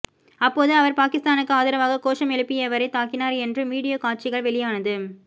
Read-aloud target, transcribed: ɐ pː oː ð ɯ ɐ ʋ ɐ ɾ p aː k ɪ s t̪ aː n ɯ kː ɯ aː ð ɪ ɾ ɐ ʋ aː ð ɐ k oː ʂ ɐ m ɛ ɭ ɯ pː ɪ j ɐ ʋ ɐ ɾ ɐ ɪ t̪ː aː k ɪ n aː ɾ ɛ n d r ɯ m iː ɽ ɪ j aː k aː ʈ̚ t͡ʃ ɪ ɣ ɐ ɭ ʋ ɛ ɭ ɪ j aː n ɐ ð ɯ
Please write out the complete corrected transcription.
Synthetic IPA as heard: ɐ pː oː ð ɯ ɐ ʋ ɐ ɾ p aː k ɪ s t̪ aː n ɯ kː ɯ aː ð ɪ ɾ ɐ ʋ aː ɣ ɐ k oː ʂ ɐ m ɛ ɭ ɯ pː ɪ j ɐ ʋ ɐ ɾ ɐ ɪ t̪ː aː k ɪ n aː ɾ ɛ n d r ɯ m iː ɽ ɪ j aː k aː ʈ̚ t͡ʃ ɪ ɣ ɐ ɭ ʋ ɛ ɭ ɪ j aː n ɐ ð ɯ